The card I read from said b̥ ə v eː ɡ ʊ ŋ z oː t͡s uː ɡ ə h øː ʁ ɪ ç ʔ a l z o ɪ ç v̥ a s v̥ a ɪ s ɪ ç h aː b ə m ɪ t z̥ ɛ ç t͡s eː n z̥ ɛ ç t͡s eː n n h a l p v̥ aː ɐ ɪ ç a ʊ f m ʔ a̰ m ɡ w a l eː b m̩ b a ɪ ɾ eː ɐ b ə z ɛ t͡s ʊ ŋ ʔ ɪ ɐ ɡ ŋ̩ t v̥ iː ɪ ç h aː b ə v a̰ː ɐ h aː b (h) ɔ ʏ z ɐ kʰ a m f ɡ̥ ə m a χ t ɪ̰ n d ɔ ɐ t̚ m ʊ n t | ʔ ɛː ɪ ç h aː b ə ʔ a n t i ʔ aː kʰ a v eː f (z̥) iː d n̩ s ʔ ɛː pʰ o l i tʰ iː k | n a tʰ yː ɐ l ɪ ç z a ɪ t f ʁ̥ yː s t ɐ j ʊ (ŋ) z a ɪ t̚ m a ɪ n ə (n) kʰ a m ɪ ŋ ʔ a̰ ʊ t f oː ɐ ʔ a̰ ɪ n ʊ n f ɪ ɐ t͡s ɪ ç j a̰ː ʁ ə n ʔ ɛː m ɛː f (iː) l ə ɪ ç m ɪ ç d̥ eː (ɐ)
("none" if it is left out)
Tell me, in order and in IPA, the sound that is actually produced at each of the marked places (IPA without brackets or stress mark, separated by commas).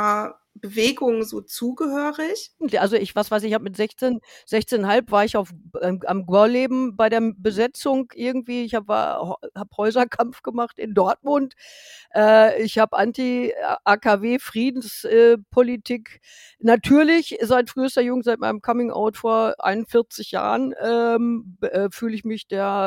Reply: h, ʁ̥, ŋ, m, yː, ɐ